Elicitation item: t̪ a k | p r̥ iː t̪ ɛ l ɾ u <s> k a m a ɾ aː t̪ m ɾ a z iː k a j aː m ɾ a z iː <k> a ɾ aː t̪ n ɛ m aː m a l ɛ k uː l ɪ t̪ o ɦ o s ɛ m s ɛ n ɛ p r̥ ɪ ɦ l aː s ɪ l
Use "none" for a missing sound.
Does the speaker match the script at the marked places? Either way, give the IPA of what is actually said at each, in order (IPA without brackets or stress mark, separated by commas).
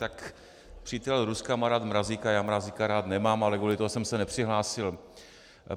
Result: s, k